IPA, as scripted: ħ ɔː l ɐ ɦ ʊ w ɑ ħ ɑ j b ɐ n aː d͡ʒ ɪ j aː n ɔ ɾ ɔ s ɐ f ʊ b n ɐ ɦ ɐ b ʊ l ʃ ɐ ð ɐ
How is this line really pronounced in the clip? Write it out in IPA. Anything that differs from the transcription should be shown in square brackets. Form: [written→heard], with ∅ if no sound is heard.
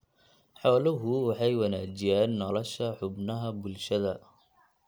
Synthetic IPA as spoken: ħ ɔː l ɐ ɦ ʊ w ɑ ħ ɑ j [b→w] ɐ n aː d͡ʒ ɪ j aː [n→nː] ɔ [ɾ→l] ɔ [s→ʃ] ɐ [f→ħ] ʊ b n ɐ ɦ ɐ b ʊ l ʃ ɐ ð ɐ